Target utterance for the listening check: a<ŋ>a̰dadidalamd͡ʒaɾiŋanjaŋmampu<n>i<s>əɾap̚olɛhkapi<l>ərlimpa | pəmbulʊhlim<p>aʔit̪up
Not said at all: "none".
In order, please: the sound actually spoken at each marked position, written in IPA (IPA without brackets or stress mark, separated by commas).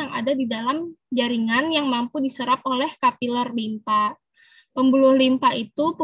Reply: ŋ, d, s, l, p